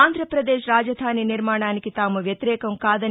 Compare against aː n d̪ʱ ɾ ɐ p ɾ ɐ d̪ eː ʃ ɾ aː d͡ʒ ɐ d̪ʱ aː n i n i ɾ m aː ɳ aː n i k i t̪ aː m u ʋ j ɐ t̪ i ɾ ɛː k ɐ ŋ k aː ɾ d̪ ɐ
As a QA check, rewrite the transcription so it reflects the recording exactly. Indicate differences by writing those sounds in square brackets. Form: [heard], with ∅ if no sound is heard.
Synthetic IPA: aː n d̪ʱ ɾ ɐ p ɾ ɐ d̪ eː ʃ ɾ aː d͡ʒ ɐ d̪ʱ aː n i n i ɾ m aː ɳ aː n i k i t̪ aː m u ʋ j ɐ t̪ i ɾ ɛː k ɐ [m] k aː [∅] d̪ ɐ